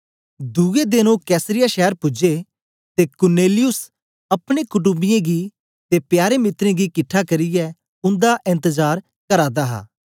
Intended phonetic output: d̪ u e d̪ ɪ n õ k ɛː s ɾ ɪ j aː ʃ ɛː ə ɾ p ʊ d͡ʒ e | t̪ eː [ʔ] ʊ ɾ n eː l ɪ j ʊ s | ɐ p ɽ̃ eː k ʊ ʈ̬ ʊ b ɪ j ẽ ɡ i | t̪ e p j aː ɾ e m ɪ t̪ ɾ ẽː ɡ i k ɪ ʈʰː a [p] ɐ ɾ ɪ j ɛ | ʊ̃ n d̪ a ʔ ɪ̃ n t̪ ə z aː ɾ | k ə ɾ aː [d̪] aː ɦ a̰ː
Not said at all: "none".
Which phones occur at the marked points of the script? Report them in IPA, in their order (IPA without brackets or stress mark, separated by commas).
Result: k, k, d̪